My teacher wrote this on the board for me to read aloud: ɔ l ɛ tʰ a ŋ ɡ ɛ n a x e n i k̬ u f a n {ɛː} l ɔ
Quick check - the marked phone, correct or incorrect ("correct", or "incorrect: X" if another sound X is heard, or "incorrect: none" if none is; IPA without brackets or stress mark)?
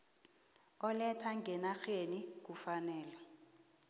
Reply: correct